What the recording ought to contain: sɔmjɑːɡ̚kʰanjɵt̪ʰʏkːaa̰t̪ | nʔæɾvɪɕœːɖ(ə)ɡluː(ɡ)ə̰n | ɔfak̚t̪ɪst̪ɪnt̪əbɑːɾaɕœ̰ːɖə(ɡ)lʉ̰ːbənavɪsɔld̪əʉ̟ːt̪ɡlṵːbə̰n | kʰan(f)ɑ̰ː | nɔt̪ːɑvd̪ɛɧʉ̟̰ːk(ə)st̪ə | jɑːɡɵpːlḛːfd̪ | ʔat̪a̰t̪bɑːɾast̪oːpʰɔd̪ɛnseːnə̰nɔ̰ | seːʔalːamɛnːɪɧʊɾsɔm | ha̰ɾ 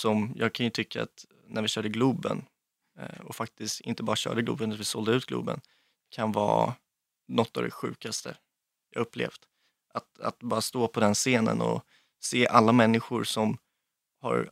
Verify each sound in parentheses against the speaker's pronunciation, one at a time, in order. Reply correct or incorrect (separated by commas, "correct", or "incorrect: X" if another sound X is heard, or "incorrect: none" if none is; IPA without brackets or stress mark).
correct, incorrect: b, correct, incorrect: v, incorrect: a